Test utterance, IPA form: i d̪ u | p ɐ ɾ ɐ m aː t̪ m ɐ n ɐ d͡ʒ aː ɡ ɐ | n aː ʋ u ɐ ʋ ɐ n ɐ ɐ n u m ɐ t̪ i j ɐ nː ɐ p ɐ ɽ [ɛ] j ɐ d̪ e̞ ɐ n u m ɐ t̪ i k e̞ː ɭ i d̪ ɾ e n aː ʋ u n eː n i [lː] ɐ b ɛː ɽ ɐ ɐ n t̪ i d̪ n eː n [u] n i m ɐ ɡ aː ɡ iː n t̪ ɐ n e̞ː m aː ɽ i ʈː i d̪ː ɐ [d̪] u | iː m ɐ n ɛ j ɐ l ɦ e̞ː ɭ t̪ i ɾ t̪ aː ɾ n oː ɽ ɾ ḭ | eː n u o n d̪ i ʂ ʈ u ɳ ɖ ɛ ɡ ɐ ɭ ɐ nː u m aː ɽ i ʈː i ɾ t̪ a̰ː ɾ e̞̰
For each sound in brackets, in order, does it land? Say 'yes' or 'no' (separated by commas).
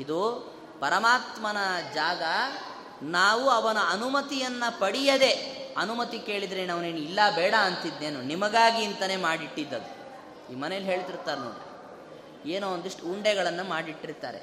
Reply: no, yes, yes, yes